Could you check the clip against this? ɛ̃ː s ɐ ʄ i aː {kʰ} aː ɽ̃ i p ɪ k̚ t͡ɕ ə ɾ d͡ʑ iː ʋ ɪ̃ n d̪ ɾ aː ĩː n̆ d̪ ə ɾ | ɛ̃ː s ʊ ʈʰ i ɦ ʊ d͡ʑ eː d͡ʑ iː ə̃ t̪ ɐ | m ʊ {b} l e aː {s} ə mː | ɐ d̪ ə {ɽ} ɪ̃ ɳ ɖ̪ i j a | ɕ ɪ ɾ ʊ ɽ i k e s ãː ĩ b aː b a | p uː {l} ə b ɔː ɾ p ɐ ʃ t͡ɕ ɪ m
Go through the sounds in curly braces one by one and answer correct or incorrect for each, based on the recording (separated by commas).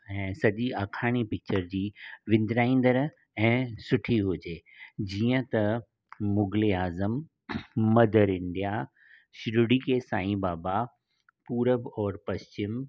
correct, incorrect, incorrect, incorrect, incorrect